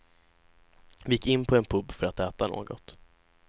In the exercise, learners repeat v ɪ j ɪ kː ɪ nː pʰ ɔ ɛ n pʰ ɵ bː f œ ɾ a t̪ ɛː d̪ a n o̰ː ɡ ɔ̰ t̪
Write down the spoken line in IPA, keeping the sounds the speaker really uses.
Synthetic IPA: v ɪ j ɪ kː ɪ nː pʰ ɔ ɛ n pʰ ɵ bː f œ ɾ a t̪ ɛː t̪ a n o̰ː ɡ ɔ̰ t̪